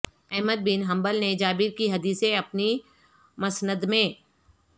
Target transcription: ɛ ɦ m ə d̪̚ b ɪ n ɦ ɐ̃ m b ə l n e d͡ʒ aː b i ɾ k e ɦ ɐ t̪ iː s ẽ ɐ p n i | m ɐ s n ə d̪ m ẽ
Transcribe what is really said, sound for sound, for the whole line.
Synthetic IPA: ɛ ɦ m ə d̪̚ b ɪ n ɦ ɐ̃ m b ə l n e d͡ʒ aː b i ɾ k i ɦ ɐ d̪ iː s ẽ ɐ p n i | m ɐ s n ə d̪ m ẽ